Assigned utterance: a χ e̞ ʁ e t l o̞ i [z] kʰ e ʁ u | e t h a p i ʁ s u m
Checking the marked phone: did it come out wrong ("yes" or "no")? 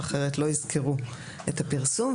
no